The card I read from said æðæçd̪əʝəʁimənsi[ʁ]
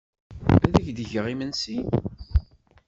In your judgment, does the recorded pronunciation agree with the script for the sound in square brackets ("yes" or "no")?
no